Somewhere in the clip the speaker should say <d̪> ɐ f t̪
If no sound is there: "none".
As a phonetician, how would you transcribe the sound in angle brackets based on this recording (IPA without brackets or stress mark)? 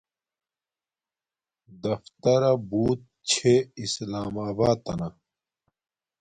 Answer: d̪